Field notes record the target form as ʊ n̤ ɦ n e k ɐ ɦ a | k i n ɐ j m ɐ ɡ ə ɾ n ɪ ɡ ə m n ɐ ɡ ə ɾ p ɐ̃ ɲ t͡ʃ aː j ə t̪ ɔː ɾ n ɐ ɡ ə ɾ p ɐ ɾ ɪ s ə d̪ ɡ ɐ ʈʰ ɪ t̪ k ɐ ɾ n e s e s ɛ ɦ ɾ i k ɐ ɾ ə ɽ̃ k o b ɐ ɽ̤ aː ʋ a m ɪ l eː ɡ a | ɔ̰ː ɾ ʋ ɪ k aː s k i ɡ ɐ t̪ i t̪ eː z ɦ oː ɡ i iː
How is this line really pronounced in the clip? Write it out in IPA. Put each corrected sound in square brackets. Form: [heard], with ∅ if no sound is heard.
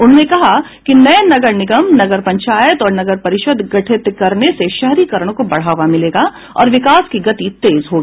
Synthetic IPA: ʊ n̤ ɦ n e k ɐ ɦ a | k i n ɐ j [n] ɐ ɡ ə ɾ n ɪ ɡ ə m n ɐ ɡ ə ɾ p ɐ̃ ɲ t͡ʃ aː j ə t̪ ɔː ɾ n ɐ ɡ ə ɾ p ɐ ɾ ɪ [ʃ] ə d̪ ɡ ɐ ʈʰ ɪ t̪ k ɐ ɾ n e s e [ʃ] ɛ ɦ ɾ i k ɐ ɾ ə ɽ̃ k o b ɐ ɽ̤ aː ʋ a m ɪ l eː ɡ a | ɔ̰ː ɾ ʋ ɪ k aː s k i ɡ ɐ t̪ i t̪ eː z ɦ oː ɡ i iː